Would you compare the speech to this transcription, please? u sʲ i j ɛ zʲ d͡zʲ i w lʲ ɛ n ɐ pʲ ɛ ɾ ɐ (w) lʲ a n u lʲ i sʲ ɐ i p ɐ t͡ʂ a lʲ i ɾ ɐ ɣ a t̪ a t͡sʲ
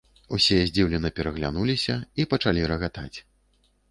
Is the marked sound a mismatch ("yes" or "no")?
yes